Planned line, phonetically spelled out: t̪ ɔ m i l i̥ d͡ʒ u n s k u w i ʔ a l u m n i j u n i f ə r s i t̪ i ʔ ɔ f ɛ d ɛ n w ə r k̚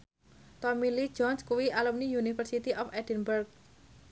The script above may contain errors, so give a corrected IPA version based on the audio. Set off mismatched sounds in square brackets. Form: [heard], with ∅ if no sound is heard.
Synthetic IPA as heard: t̪ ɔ m i l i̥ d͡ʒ [ɔ] n s k u w i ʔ a l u m n i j u n i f ə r s i t̪ i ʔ ɔ f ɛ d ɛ n [b] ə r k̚